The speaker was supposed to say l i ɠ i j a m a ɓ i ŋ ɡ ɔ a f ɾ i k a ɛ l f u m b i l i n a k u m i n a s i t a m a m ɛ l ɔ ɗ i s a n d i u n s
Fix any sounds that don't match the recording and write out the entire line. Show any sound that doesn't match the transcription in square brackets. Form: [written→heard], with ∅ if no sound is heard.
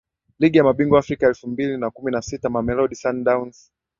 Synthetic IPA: l i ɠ i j a m a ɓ i ŋ ɡ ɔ a f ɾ i k a ɛ l f u m b i l i n a k u m i n a s i t a m a m ɛ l ɔ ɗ i s a n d [i→a] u n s